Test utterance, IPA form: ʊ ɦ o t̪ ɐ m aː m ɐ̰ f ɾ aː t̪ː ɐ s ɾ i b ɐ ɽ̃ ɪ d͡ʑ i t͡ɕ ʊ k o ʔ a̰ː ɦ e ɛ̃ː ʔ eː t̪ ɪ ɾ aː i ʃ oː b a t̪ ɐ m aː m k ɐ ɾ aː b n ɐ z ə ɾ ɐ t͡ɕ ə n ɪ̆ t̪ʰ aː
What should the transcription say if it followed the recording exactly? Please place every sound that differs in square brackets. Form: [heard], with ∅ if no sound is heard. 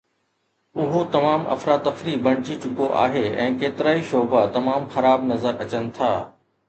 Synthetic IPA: ʊ ɦ o t̪ ɐ m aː m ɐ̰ f ɾ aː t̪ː ɐ [f] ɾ i b ɐ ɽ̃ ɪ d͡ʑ i t͡ɕ ʊ k o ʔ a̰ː ɦ e ɛ̃ː [k] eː t̪ ɪ ɾ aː i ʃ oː b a t̪ ɐ m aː m [x] ɐ ɾ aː b n ɐ z ə ɾ ɐ t͡ɕ ə n ɪ̆ t̪ʰ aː